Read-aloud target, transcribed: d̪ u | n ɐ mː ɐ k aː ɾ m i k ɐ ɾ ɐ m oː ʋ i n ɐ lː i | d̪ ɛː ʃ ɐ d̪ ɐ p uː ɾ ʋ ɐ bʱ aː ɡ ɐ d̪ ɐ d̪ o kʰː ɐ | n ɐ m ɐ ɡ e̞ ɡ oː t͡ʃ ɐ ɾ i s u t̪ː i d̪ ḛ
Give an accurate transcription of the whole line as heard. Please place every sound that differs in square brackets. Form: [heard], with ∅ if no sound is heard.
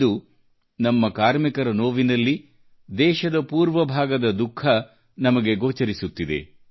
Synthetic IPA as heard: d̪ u | n ɐ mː ɐ k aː ɾ m i k ɐ ɾ ɐ [n] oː ʋ i n ɐ lː i | d̪ ɛː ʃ ɐ d̪ ɐ p uː ɾ ʋ ɐ bʱ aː ɡ ɐ d̪ ɐ d̪ [u] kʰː ɐ | n ɐ m ɐ ɡ e̞ ɡ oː t͡ʃ ɐ ɾ i s u t̪ː i d̪ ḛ